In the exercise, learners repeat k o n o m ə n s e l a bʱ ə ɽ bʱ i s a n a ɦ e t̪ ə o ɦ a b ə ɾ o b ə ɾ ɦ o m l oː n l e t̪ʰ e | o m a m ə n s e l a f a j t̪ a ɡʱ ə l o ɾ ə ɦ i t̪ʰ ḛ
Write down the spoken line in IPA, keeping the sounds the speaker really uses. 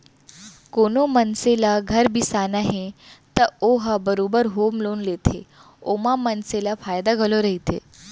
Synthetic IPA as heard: k o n o m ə n s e l a ɡʱ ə ɾ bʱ i s a n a ɦ e t̪ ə o ɦ a b ə ɾ o b ə ɾ ɦ o m l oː n l e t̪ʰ e | o m a m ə n s e l a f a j d̪ a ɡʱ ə l o ɾ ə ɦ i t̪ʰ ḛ

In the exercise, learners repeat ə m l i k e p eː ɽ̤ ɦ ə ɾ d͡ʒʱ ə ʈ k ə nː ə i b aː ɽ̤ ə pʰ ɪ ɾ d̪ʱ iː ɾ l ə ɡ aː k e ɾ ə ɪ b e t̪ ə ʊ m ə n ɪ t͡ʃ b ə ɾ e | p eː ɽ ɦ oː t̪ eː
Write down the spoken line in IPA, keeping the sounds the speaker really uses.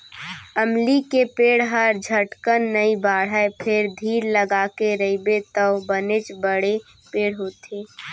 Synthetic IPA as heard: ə m l i k e p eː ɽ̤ ɦ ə ɾ d͡ʒʱ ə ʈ k ə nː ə i b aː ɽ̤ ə pʰ ɪ ɾ d̪ʱ iː ɾ l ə ɡ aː k e ɾ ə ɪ b e t̪ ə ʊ b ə n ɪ t͡ʃ b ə ɽ e | p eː ɽ ɦ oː t̪ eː

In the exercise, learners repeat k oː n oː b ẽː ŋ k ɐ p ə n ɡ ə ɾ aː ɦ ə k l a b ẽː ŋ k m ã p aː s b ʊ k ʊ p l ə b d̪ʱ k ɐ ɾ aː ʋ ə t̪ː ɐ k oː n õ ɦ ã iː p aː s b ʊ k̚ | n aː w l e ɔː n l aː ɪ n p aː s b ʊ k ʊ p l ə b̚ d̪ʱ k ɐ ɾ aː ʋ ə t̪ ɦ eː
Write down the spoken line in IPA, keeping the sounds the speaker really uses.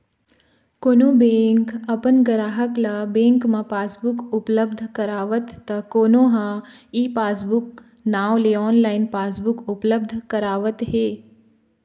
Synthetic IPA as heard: k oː n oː b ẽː ŋ k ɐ p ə n ɡ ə ɾ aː ɦ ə k l a b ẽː ŋ k m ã p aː s b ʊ k ʊ p l ə b d̪ʱ k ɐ ɾ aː ʋ ə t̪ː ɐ k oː n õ ɦ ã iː p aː s b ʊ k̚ | n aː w l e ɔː n l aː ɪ n p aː s b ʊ k ʊ p l ə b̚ d̪ʱ k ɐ ɾ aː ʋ ə t̪ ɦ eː

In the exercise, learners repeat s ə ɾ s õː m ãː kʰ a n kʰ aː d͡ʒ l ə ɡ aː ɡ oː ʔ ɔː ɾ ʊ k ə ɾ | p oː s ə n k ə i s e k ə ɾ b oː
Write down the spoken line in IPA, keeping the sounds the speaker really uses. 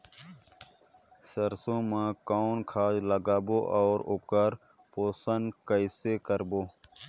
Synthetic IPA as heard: s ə ɾ s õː m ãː k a n kʰ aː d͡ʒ l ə ɡ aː b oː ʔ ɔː ɾ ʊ k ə ɾ | p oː s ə n k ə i s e k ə ɾ b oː

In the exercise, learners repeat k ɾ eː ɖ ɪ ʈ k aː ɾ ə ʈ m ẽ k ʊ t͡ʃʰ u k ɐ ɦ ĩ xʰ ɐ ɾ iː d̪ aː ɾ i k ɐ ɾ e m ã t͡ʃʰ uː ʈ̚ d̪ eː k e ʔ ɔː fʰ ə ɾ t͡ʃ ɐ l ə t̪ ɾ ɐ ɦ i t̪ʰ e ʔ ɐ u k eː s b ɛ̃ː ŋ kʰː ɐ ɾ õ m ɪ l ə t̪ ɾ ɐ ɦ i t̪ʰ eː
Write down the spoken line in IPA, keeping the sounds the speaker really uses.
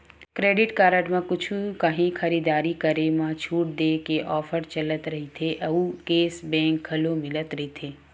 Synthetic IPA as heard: k ɾ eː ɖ ɪ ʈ k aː ɾ ə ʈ m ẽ k ʊ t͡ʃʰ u k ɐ ɦ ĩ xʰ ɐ ɾ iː d̪ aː ɾ i k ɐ ɾ e m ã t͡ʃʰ uː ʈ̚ d̪ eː k e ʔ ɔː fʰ ə ɾ t͡ʃ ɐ l ə t̪ ɾ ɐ ɦ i t̪ʰ e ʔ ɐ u k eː s b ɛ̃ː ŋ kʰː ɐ l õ m ɪ l ə t̪ ɾ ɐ ɦ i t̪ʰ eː

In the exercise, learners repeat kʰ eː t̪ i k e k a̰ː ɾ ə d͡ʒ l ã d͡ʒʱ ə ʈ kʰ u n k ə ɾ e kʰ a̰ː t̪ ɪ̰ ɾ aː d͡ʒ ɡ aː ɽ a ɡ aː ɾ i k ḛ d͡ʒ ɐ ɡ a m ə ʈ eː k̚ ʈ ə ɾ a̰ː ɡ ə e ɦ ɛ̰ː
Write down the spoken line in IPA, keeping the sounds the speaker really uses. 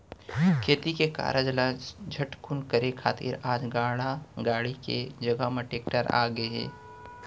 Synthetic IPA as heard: kʰ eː t̪ i k e k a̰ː ɾ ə d͡ʒ l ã d͡ʒʱ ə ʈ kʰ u n k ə ɾ e kʰ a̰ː t̪ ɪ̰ ɾ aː d͡ʒ ɡ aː ɽ a ɡ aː ɽ i k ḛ d͡ʒ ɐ ɡ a m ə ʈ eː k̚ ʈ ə ɾ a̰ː ɡ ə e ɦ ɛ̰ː

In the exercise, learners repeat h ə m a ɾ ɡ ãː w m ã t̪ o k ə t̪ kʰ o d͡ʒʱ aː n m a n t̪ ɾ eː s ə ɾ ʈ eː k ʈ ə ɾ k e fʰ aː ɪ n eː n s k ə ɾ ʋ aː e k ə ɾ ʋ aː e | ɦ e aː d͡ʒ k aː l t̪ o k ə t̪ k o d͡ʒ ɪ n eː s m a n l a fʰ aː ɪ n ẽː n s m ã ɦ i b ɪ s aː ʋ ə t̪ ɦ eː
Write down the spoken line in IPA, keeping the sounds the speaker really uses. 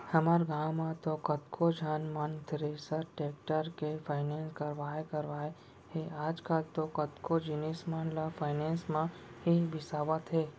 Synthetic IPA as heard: h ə m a ɾ ɡ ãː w m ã t̪ o k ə t̪ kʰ o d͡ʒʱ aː n m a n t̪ ɾ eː s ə ɾ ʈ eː k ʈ ə ɾ k e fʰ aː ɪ n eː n s k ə ɾ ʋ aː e k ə ɾ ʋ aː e | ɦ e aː d͡ʒ k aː l t̪ o k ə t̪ k o d͡ʒ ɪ n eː s m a n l a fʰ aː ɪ n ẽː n s m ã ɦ i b ɪ s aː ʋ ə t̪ ɦ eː

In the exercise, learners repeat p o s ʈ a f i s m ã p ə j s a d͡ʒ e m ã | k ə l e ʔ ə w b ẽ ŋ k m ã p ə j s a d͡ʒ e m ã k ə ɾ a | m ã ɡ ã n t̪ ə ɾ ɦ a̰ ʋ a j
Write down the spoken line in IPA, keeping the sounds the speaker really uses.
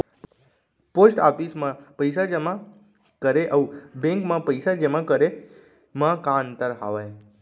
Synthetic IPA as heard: p o s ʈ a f i s m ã p ə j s a d͡ʒ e m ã | k ə ɾ e ʔ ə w b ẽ ŋ k m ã p ə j s a d͡ʒ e m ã k ə ɾ e | m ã k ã n t̪ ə ɾ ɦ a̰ ʋ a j

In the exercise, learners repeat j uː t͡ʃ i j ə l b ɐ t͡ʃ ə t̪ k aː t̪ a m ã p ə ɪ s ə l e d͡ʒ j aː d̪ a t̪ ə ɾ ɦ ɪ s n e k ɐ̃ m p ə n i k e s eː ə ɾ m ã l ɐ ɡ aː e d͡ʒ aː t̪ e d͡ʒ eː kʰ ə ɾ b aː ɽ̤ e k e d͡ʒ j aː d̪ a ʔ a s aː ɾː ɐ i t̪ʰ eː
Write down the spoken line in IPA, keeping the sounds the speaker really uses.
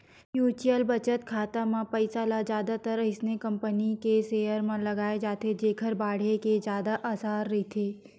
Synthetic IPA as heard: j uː t͡ʃ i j ə l b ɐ t͡ʃ ə t̪ kʰ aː t̪ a m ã p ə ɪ s a l a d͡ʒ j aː d̪ a t̪ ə ɾ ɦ ɪ s n e k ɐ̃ m p ə n i k e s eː ə ɾ m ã l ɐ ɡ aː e d͡ʒ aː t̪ e d͡ʒ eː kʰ ə ɾ b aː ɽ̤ e k e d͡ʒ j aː d̪ a ʔ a s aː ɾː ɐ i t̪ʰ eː

